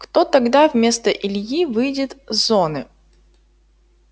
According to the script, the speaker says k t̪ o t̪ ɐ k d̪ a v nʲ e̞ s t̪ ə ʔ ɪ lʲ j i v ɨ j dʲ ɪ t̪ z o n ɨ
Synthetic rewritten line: k t̪ o t̪ ɐ ɡ d̪ a v mʲ e̞ s t̪ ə ʔ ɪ lʲ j i v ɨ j dʲ ɪ t̪ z o n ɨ

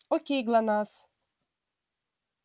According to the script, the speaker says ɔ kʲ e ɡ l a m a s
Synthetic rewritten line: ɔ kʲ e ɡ l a n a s

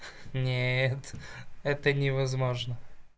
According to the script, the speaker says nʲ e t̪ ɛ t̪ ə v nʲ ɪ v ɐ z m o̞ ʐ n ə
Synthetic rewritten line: nʲ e t̪ ɛ t̪ ə nʲ ɪ v ɐ z m o̞ ʐ n ə

